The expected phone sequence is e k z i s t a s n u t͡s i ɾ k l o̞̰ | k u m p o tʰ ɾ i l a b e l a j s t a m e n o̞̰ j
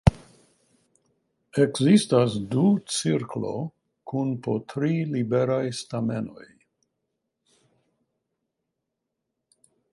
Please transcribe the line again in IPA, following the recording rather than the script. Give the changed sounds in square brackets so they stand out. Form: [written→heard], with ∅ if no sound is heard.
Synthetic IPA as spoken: e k z i s t a s [n→d] u t͡s i ɾ k l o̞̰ | k u [m→n] p o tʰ ɾ i l [a→i] b e [l→ɾ] a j s t a m e n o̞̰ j